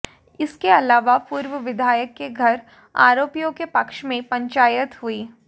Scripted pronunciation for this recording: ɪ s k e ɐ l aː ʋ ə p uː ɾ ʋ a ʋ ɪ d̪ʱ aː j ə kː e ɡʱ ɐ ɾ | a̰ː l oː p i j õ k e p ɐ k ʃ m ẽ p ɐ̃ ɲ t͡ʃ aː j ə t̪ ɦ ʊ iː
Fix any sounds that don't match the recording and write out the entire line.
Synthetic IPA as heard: ɪ s k e ɐ l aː ʋ a p uː ɾ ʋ ə ʋ ɪ d̪ʱ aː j ə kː e ɡʱ ɐ ɾ | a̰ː ɾ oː p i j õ k e p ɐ k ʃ m ẽ p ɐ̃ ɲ t͡ʃ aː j ə t̪ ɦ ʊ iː